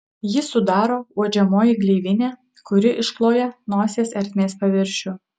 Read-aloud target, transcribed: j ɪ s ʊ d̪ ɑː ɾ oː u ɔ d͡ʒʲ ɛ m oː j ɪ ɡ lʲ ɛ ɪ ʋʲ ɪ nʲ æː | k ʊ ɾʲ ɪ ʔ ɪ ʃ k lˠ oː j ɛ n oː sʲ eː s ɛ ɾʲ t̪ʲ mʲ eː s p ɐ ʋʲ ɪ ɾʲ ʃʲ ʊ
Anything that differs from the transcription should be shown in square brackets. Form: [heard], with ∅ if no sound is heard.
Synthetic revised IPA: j ɪ s ʊ d̪ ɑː ɾ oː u ɔ d͡ʒʲ ɛ m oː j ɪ ɡ lʲ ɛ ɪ ʋʲ ɪ nʲ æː | k ʊ ɾʲ ɪ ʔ ɪ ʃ k lˠ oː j ɛ n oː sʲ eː s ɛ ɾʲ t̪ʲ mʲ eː s p ɐ ʋʲ ɪ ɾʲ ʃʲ ʊ